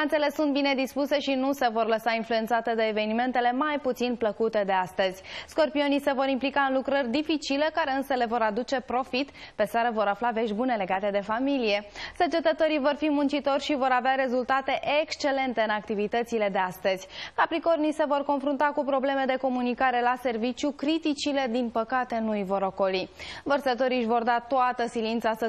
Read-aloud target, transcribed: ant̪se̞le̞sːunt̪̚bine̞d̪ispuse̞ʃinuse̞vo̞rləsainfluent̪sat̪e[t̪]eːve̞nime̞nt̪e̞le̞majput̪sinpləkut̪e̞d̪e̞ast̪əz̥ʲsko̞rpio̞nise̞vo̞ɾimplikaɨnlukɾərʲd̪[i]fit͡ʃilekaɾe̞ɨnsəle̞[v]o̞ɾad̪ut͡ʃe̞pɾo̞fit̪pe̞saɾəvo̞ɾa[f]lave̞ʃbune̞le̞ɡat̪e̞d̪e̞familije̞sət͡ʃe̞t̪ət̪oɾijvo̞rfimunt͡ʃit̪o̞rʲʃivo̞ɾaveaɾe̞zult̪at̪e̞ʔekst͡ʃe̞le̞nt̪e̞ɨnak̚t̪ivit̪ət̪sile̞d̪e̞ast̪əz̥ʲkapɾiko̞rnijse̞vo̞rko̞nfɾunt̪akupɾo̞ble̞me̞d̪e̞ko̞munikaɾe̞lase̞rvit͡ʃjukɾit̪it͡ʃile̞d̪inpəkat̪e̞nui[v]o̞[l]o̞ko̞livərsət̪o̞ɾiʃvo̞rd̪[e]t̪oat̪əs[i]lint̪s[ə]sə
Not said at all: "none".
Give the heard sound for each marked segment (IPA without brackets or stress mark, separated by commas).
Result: d̪, i, v, f, v, ɾ, a, i, a